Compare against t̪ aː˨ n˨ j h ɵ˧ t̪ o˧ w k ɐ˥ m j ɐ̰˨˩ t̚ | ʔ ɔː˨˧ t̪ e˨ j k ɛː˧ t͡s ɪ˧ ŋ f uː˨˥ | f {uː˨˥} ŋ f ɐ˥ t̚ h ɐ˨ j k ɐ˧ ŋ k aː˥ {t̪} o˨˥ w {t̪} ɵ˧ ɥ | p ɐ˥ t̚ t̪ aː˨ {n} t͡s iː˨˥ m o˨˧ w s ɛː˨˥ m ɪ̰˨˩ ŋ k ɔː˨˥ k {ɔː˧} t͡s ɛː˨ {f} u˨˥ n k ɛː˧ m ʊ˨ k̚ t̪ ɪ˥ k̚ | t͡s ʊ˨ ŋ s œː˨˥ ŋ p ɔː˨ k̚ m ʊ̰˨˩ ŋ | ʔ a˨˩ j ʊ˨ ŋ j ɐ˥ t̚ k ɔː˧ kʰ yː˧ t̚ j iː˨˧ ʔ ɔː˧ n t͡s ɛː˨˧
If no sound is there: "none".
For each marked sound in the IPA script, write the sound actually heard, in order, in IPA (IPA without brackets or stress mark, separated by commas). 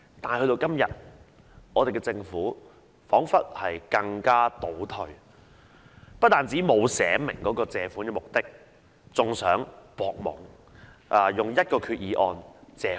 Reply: ɔː˨˥, t̪, t̪ʰ, n, ɔː˧, f